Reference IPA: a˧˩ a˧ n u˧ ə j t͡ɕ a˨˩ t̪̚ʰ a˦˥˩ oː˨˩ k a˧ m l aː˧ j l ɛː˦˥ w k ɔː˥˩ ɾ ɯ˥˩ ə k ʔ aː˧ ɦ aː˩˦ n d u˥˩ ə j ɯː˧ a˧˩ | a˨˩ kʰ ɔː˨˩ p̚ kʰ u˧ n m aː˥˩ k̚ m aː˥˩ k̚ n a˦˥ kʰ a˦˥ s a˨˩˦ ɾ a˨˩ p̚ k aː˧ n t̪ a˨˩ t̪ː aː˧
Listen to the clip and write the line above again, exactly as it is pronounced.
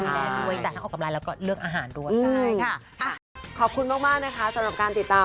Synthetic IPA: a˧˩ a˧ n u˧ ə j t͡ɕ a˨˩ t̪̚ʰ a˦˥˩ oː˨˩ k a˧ m l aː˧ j l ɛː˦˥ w k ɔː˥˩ ɾ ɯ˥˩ ə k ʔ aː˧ ɦ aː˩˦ n d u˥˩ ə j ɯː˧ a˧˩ | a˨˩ kʰ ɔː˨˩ p̚ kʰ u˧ n m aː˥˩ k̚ m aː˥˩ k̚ n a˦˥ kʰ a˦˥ s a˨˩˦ ɾ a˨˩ p̚ k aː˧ n t̪ i˨˩ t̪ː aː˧